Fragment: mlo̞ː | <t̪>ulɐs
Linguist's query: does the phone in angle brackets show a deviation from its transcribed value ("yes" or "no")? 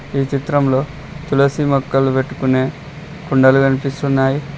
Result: no